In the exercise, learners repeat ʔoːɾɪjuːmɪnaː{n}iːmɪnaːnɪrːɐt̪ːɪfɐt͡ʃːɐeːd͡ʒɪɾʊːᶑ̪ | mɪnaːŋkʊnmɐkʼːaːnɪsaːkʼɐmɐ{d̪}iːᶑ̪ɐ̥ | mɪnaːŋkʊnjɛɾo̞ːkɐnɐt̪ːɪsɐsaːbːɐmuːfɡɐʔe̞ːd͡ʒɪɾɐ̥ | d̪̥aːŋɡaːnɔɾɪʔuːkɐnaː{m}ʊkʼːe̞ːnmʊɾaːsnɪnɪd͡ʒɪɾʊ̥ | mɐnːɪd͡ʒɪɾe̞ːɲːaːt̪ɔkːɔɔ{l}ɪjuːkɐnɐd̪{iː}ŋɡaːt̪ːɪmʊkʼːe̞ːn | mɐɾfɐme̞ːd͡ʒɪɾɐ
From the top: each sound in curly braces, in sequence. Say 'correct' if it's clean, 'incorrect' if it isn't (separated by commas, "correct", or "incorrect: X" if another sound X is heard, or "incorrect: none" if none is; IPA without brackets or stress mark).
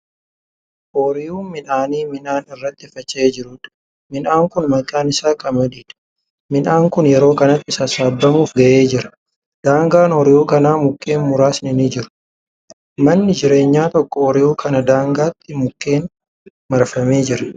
correct, correct, correct, incorrect: ɾ, incorrect: aː